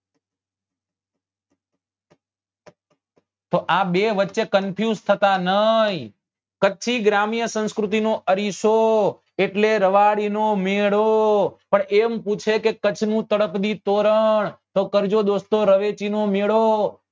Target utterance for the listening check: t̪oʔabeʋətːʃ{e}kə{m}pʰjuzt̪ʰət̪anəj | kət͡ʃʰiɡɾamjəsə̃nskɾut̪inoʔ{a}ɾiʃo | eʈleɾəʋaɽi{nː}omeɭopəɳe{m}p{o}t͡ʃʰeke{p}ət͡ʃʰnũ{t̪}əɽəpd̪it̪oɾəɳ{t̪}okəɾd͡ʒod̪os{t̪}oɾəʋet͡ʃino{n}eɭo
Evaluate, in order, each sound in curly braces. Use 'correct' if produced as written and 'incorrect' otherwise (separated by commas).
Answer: correct, incorrect, incorrect, incorrect, correct, incorrect, incorrect, correct, correct, correct, incorrect